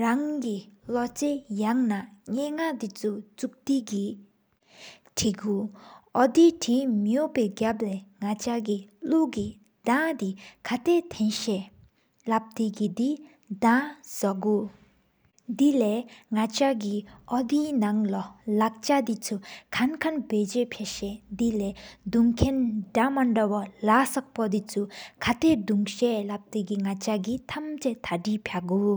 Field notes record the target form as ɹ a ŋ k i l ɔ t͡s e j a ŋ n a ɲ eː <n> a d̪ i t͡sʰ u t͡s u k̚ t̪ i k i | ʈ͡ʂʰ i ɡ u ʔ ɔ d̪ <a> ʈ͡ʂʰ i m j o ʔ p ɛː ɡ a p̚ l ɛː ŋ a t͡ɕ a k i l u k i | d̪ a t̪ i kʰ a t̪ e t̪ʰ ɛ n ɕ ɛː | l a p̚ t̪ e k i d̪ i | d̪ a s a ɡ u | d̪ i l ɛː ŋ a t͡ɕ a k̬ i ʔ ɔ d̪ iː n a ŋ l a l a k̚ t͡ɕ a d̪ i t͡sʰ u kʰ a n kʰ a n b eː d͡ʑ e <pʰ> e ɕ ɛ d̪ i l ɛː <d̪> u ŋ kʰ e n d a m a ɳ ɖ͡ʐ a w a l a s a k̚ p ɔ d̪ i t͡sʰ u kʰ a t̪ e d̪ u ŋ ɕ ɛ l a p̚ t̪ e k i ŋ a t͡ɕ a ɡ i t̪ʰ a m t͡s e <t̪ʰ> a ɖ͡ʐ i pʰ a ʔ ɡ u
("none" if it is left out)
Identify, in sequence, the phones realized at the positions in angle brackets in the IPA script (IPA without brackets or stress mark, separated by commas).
ŋ, i, pʰ, d̪, t̪ʰ